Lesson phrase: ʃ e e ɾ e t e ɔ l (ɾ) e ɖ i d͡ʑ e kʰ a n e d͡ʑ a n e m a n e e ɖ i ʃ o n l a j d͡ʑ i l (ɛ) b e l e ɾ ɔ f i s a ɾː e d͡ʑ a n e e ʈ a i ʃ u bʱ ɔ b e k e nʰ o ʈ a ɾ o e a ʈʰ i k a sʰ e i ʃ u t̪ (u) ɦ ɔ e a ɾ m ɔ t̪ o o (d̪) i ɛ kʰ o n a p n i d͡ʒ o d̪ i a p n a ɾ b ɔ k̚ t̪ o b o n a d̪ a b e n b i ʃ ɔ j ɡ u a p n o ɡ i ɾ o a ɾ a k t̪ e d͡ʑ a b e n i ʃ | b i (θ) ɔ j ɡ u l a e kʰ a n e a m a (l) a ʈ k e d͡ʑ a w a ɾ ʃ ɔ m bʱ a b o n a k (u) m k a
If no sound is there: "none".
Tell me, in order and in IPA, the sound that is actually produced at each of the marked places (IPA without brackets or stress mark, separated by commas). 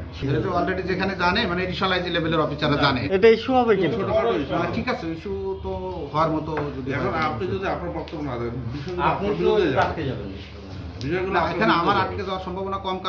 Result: ɾ, e, o, d̪, ʃ, ɾ, ɔ